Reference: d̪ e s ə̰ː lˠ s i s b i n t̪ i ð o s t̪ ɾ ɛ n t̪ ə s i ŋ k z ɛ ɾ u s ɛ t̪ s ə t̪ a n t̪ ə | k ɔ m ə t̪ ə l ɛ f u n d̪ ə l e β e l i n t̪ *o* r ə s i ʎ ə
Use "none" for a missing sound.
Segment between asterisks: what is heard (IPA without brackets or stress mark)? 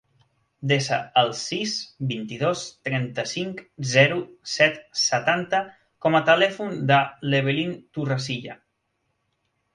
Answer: u